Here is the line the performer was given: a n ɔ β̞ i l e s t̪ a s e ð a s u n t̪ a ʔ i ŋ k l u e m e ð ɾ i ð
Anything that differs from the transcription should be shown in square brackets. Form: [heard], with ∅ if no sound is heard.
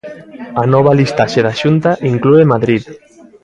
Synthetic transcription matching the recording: a n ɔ β̞ [a] l [i] s t̪ a [ʃ] e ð a [ʃ] u n t̪ a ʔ i ŋ k l u e m [a] ð ɾ i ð